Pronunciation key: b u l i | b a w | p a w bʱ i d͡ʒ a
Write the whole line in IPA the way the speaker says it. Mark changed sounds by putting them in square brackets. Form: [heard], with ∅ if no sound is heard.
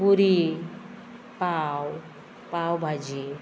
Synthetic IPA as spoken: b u [ɾ] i | [p] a w | p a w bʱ [a] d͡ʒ [i]